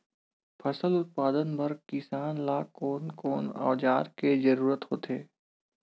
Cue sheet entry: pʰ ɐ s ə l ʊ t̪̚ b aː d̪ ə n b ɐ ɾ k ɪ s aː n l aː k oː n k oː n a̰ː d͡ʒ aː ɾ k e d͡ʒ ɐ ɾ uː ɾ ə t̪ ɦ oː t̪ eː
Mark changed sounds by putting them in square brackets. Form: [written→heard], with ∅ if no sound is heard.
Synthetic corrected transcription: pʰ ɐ s ə l ʊ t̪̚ [b→p] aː d̪ ə n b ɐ ɾ k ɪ s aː n l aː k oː n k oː n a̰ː d͡ʒ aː ɾ k e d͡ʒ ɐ ɾ uː ɾ ə t̪ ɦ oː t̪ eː